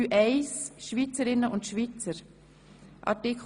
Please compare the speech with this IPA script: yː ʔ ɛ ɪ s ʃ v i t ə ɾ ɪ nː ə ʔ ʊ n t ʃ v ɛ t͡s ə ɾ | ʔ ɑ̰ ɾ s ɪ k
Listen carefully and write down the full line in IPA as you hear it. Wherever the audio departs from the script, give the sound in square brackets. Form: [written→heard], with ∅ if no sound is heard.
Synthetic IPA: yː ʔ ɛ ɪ s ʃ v i [t→t͡s] ə ɾ ɪ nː ə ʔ ʊ n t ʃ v [ɛ→i] t͡s ə ɾ | ʔ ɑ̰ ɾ [s→t] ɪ k